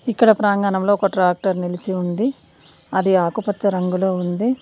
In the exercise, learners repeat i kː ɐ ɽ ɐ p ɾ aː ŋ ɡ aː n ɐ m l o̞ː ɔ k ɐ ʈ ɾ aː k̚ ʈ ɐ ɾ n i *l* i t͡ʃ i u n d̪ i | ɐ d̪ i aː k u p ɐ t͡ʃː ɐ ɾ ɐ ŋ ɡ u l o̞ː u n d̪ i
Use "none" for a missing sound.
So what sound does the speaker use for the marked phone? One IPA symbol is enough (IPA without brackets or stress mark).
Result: l